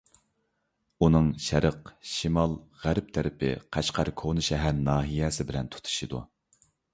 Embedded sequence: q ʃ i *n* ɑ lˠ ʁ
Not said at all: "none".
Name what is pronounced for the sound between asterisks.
m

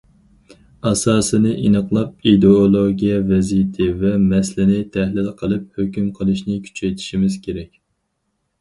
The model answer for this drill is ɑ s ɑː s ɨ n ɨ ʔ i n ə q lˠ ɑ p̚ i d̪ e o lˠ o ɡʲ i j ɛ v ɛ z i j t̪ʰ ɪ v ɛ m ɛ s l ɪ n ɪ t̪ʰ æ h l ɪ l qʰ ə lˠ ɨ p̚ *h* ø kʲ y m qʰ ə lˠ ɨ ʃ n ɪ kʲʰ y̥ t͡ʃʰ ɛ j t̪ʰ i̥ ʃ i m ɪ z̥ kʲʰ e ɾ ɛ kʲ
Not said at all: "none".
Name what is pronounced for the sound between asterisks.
h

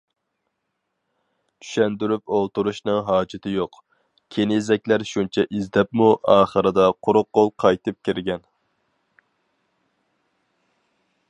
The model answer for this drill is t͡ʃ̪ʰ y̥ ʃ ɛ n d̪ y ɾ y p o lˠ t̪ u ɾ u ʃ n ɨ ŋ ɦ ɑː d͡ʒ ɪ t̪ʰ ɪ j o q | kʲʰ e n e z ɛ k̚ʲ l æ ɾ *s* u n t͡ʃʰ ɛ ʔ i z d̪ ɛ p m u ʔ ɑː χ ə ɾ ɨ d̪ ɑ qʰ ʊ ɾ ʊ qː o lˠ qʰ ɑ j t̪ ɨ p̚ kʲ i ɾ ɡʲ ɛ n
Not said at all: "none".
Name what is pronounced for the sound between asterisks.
ʃ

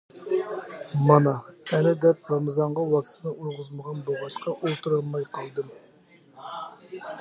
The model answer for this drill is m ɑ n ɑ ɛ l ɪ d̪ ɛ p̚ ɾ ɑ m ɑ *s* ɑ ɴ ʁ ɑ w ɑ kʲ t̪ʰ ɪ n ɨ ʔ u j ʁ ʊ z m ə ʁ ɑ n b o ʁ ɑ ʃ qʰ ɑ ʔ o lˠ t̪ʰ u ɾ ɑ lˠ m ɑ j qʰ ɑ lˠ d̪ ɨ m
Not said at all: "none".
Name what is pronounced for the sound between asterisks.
z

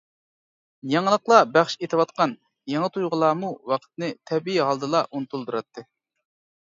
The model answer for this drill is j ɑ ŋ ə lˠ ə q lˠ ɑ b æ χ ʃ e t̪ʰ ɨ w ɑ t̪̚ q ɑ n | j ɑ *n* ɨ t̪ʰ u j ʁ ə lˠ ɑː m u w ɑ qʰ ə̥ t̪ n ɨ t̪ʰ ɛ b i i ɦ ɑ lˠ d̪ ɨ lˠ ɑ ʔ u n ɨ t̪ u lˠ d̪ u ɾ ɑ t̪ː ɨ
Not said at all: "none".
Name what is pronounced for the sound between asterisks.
ŋ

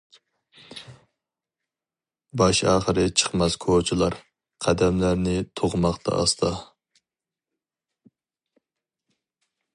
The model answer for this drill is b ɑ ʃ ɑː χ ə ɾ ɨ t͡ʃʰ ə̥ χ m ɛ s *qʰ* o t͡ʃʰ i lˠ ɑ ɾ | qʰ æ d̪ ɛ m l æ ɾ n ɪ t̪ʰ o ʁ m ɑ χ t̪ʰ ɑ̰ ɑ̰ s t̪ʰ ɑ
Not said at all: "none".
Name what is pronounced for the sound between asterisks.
kʰ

